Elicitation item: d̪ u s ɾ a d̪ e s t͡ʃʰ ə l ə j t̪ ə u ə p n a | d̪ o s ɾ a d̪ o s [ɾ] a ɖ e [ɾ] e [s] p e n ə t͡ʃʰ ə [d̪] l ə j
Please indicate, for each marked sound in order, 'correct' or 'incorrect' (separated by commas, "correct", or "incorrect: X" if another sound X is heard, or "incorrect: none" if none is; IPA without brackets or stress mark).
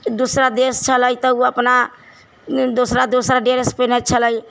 correct, correct, correct, incorrect: none